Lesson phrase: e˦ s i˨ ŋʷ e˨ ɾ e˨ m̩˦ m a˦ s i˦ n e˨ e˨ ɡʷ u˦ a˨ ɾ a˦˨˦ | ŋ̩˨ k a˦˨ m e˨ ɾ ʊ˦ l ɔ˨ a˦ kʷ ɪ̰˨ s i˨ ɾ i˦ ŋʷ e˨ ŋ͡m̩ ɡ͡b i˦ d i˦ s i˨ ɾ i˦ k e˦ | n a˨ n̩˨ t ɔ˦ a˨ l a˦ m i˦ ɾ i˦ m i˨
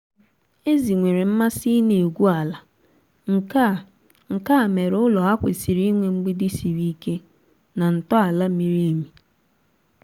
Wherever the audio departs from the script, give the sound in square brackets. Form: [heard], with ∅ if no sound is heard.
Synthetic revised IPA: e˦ [z] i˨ ŋʷ e˨ ɾ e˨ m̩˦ m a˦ s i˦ n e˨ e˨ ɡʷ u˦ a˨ [l] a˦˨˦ | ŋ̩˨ k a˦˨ m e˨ ɾ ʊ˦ l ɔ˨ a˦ kʷ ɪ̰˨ s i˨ ɾ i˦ ŋʷ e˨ ŋ͡m̩ ɡ͡b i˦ d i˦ s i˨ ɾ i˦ k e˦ | n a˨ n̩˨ t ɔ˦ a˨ l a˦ m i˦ ɾ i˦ m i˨